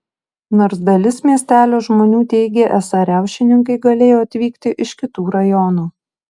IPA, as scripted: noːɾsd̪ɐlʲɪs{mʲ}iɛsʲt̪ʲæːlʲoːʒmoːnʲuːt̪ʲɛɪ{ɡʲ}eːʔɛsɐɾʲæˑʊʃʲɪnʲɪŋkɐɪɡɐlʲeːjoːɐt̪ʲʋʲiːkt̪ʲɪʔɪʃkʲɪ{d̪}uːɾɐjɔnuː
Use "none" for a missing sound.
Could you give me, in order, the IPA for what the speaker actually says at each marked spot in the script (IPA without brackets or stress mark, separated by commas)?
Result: mʲ, ɡʲ, t̪